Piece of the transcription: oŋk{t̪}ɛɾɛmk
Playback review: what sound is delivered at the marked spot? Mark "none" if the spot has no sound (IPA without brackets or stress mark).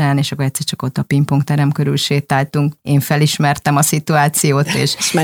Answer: t̪